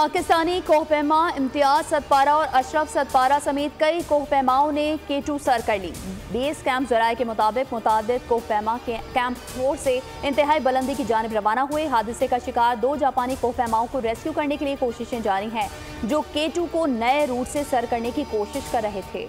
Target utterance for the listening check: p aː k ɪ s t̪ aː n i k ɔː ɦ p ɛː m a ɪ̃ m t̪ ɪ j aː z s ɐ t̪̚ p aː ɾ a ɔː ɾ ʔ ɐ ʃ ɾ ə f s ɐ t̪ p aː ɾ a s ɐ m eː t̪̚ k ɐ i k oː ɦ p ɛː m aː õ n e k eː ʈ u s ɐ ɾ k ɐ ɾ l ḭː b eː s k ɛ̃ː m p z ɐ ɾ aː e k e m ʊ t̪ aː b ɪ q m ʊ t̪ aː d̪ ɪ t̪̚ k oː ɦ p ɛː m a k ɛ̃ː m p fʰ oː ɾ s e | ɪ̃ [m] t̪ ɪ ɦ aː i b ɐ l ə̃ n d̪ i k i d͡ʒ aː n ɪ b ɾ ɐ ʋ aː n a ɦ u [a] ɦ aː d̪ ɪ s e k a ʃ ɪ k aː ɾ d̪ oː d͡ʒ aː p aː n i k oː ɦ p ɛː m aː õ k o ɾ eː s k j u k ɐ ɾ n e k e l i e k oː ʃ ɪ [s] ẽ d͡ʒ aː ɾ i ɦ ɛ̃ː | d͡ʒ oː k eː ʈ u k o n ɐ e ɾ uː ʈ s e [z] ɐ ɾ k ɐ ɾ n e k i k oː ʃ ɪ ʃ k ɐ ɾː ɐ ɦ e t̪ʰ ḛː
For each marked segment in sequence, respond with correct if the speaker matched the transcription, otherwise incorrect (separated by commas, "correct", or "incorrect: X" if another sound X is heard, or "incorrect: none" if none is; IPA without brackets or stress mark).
incorrect: n, incorrect: e, incorrect: ʃ, incorrect: s